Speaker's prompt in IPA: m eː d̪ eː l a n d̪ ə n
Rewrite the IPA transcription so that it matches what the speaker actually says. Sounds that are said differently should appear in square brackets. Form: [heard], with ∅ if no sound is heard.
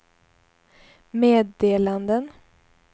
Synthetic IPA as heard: m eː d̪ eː l a n d̪ ə n